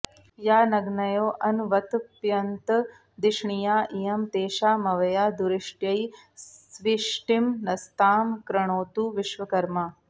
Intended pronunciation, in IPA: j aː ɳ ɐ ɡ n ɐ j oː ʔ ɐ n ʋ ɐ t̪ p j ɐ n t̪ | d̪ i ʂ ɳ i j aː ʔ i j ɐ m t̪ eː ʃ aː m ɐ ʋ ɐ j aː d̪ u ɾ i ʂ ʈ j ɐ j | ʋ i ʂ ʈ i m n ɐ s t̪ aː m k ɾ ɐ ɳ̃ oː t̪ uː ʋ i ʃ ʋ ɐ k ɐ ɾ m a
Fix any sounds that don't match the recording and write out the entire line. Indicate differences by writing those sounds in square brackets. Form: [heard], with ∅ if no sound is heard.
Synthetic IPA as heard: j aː [n] ɐ ɡ n ɐ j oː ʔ ɐ n ʋ ɐ t̪ p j ɐ n t̪ | d̪ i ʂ ɳ i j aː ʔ i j ɐ m t̪ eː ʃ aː m ɐ ʋ ɐ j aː d̪ u ɾ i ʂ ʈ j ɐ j | ʋ i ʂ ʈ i m n ɐ s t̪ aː m k ɾ ɐ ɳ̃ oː t̪ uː ʋ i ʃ ʋ ɐ k ɐ ɾ m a